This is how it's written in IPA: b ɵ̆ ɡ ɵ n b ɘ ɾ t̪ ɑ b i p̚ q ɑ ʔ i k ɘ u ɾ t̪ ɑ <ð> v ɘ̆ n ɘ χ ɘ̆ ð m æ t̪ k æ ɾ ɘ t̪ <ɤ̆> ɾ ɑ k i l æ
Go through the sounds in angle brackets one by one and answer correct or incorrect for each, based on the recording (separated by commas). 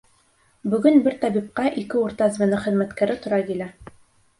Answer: incorrect, incorrect